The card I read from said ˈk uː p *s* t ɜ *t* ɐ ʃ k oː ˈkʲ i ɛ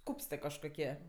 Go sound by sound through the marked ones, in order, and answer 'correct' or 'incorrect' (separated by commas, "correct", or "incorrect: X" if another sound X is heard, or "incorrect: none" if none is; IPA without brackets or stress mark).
correct, incorrect: k